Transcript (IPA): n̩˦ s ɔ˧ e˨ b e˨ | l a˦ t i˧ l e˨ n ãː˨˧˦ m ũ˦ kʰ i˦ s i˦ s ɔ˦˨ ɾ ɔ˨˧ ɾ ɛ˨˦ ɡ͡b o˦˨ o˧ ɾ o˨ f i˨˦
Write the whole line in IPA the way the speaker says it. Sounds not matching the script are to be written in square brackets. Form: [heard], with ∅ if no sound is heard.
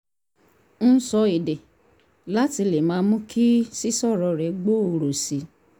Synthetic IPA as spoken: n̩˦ s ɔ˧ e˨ [d] e˨ | l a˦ t i˧ l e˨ [m] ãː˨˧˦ m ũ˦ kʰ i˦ s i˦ s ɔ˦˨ ɾ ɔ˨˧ ɾ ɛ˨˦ ɡ͡b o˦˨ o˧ ɾ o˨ [s] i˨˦